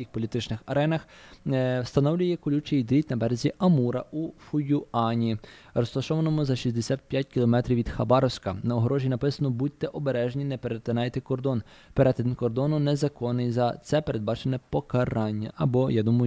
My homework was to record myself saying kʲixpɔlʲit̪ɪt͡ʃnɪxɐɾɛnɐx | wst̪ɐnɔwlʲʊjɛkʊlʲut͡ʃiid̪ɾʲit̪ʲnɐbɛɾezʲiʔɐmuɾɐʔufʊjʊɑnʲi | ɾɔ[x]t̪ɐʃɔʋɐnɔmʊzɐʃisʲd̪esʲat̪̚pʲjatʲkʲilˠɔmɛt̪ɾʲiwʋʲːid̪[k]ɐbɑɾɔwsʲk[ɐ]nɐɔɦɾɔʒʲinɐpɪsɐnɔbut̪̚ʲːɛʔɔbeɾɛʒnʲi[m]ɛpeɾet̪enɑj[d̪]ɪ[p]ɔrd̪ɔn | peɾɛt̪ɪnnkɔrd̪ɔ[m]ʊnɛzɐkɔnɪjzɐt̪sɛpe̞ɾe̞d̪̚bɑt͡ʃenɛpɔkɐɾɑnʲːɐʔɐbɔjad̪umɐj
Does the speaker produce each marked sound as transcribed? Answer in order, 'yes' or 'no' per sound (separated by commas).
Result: no, no, yes, no, no, no, no